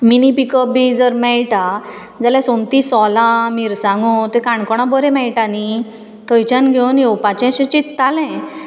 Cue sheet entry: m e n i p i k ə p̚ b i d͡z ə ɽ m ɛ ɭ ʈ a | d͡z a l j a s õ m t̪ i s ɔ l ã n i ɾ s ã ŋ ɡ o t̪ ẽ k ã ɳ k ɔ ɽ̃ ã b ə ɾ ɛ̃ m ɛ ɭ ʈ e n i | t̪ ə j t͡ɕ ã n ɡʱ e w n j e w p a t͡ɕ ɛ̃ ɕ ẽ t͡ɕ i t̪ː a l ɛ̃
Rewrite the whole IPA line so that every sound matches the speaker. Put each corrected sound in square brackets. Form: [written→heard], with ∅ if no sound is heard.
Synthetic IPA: m [e→i] n i p i k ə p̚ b i d͡z ə [ɽ→ɾ] m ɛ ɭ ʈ a | d͡z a l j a s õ m t̪ i s ɔ l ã [n→m] i ɾ s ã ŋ ɡ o t̪ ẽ k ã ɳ k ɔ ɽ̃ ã b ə ɾ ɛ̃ m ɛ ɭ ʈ [e→a] n i | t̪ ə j t͡ɕ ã n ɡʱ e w n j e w p a t͡ɕ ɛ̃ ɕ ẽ t͡ɕ i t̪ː a l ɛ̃